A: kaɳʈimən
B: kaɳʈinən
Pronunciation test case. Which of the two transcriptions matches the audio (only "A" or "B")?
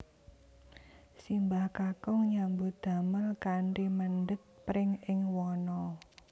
A